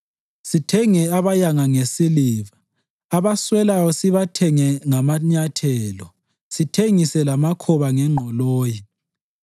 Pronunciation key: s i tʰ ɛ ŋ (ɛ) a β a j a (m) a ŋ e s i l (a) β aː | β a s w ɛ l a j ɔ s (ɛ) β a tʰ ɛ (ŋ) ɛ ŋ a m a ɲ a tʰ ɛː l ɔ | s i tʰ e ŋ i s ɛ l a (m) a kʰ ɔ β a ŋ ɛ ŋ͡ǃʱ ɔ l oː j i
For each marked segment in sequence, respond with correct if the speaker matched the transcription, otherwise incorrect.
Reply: correct, incorrect: ŋ, incorrect: i, incorrect: i, correct, correct

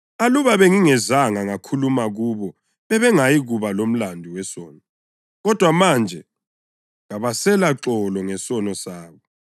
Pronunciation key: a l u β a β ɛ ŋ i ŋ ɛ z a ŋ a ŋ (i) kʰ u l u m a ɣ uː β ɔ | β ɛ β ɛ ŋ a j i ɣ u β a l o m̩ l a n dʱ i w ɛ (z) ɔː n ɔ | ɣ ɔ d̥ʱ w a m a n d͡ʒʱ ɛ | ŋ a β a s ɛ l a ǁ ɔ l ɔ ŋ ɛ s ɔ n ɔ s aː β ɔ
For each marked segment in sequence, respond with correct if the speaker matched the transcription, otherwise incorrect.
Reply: incorrect: a, incorrect: s

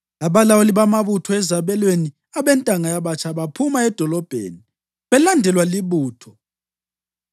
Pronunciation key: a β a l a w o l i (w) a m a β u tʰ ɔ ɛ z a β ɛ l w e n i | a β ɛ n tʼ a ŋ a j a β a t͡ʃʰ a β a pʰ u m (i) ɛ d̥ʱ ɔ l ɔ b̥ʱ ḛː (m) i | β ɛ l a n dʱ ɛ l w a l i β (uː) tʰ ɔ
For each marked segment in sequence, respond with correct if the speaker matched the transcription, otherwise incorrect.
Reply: incorrect: β, incorrect: a, incorrect: n, correct

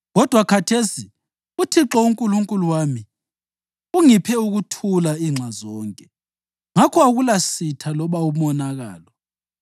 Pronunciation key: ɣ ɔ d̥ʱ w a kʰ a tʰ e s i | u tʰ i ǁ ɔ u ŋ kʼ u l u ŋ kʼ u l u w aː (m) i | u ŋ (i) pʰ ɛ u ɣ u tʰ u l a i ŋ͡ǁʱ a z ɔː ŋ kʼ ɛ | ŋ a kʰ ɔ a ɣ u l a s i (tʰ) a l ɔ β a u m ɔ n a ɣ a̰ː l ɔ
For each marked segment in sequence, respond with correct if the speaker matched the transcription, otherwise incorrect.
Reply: correct, correct, correct

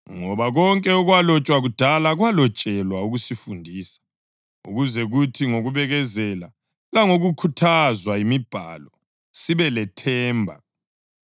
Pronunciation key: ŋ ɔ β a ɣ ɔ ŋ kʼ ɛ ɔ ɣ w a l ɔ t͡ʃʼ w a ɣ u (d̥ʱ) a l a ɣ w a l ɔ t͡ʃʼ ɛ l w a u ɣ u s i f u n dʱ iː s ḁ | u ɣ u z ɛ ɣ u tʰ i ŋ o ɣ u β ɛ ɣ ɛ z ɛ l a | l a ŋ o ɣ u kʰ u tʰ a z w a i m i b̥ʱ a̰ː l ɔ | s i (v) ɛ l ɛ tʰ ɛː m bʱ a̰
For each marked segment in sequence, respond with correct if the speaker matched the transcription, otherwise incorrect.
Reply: correct, incorrect: β

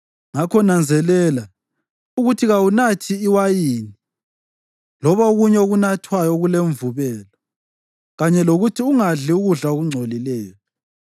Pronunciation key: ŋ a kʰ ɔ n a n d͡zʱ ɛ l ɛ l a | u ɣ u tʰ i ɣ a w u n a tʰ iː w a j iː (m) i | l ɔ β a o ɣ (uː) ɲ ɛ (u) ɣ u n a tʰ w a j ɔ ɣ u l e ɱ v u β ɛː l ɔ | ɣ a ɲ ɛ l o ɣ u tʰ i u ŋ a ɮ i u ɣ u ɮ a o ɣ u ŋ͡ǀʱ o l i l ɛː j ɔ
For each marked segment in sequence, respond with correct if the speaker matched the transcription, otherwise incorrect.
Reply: incorrect: n, incorrect: u, incorrect: o

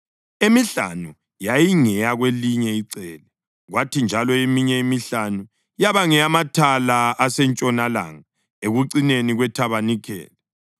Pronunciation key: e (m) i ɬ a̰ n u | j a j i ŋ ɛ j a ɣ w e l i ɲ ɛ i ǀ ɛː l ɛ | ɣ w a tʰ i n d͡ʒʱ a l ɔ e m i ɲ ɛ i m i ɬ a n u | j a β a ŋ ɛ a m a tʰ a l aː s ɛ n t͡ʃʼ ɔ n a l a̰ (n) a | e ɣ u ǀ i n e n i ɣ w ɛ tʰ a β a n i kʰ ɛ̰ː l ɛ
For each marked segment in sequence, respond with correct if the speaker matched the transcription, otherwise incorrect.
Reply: correct, incorrect: ŋ

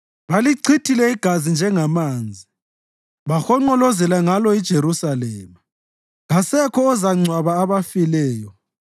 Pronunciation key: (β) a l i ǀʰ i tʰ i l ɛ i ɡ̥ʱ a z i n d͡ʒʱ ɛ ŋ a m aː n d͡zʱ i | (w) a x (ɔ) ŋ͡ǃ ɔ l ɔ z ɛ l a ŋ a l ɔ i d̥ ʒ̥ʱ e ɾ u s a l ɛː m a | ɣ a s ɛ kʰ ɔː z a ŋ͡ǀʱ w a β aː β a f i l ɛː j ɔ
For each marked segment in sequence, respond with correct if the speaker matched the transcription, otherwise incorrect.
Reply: correct, incorrect: β, correct

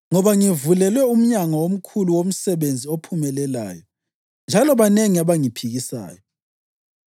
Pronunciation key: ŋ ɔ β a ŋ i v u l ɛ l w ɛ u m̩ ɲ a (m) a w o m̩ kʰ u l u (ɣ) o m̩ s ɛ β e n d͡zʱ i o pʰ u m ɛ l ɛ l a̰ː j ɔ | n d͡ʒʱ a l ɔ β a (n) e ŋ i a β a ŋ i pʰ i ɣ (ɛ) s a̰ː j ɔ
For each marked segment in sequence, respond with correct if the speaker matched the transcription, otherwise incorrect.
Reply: incorrect: ŋ, incorrect: w, correct, incorrect: i

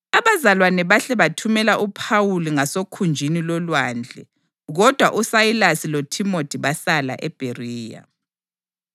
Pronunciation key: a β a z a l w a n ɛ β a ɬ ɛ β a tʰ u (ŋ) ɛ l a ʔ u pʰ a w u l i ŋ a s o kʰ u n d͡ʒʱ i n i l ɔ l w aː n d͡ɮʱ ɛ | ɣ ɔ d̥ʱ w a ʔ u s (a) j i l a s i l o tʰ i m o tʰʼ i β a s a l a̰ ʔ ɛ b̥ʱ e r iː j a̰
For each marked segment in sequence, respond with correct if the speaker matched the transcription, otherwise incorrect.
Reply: incorrect: m, correct

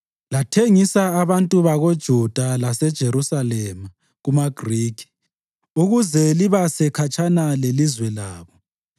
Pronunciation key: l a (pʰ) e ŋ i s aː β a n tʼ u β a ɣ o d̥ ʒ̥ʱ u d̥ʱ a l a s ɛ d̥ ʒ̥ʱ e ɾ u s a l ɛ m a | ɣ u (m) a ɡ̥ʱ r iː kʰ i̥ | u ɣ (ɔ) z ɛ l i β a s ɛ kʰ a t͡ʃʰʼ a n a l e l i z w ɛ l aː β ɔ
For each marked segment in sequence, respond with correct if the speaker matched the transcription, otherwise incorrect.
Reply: incorrect: tʰ, correct, incorrect: u

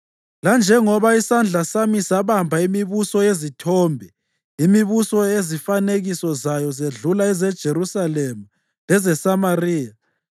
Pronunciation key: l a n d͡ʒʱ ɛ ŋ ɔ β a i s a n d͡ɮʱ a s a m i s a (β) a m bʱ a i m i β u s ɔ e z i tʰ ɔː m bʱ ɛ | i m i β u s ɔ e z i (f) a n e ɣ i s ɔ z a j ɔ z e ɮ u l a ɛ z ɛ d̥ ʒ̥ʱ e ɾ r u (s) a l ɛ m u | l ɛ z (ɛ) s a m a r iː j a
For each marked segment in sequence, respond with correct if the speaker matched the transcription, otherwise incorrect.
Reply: correct, correct, correct, correct

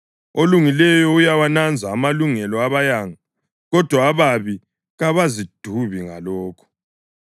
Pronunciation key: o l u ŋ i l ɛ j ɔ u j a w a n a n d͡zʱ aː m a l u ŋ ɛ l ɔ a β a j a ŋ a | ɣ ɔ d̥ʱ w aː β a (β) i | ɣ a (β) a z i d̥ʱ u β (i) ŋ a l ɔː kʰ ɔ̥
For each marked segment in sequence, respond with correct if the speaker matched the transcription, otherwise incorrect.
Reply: correct, correct, correct

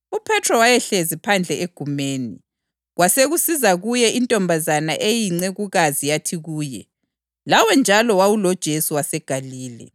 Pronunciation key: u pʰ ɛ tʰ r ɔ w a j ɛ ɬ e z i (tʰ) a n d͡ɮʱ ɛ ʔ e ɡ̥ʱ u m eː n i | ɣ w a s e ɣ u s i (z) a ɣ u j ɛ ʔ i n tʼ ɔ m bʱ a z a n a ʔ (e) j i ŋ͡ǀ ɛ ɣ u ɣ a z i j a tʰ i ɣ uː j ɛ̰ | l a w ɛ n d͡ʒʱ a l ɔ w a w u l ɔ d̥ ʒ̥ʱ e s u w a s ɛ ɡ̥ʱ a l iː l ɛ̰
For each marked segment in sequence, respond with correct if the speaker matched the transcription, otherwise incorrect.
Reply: incorrect: pʰ, correct, correct

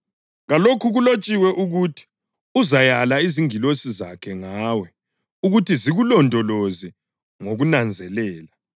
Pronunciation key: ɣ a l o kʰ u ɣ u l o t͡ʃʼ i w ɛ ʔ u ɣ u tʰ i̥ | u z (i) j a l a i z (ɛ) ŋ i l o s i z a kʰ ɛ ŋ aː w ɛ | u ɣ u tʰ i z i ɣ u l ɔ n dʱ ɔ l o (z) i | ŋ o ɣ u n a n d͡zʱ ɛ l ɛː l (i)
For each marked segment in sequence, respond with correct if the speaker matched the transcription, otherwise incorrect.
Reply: incorrect: a, incorrect: i, correct, incorrect: a

